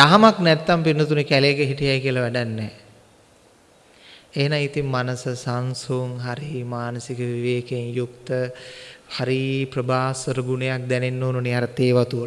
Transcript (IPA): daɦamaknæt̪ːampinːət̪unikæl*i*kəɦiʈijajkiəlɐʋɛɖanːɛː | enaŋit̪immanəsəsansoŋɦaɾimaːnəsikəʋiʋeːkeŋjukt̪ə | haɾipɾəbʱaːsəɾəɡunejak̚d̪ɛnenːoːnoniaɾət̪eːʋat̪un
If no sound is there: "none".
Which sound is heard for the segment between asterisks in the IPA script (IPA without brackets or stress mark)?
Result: e